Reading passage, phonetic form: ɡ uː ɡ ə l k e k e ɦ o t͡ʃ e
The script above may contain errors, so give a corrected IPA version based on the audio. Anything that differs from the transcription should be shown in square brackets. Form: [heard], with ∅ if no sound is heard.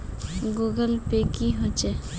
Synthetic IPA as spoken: ɡ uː ɡ ə l [p] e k [i] ɦ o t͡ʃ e